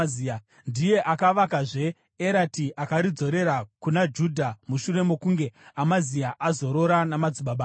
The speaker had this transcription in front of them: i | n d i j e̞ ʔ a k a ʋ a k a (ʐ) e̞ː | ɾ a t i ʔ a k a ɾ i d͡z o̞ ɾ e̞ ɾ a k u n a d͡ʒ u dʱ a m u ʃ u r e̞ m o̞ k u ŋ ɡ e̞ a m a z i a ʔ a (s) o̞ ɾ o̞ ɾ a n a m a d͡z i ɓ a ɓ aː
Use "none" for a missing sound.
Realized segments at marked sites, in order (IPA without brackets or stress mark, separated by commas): ʐ, z